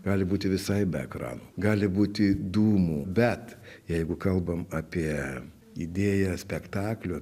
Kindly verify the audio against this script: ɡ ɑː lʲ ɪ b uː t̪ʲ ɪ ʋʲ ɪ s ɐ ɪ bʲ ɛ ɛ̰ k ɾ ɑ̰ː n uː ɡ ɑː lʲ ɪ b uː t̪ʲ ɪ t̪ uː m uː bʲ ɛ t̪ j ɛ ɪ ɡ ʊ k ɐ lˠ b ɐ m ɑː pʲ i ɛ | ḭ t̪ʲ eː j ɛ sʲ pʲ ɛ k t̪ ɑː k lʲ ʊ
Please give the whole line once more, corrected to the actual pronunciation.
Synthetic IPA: ɡ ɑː lʲ ɪ b uː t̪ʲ ɪ ʋʲ ɪ s ɐ ɪ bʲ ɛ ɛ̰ k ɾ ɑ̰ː n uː ɡ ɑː lʲ ɪ b uː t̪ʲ ɪ d̪ uː m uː bʲ ɛ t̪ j ɛ ɪ ɡ ʊ k ɐ lˠ b ɐ m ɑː pʲ i ɛ | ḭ d̪ʲ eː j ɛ sʲ pʲ ɛ k t̪ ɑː k lʲ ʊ